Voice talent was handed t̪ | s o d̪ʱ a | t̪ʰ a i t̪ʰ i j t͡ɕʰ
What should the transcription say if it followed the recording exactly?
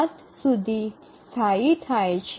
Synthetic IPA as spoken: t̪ | s u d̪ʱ i | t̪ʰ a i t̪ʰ a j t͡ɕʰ